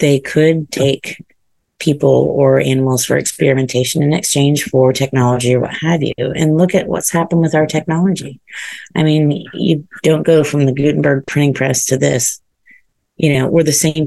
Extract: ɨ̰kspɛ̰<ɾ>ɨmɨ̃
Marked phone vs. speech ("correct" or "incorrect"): incorrect